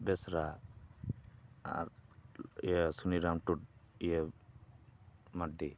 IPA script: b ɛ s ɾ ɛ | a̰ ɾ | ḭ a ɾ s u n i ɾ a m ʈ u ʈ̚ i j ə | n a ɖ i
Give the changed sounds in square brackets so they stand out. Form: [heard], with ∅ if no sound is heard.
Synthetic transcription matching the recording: b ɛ s ɾ [a] | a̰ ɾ | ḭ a [∅] s u n i ɾ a m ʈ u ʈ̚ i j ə | [m] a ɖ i